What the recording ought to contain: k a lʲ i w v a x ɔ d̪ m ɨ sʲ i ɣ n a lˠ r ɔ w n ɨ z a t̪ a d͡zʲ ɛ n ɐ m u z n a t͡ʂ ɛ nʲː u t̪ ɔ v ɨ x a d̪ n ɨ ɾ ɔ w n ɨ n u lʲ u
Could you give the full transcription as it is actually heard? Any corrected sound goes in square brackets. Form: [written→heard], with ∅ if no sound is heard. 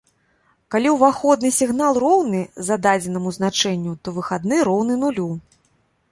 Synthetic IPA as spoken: k a lʲ i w v a x ɔ d̪ [m→n] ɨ sʲ i ɣ n a lˠ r ɔ w n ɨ z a [t̪→d̪] a d͡zʲ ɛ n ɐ m u z n a t͡ʂ ɛ nʲː u t̪ ɔ v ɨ x a d̪ n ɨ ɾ ɔ w n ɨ n u lʲ u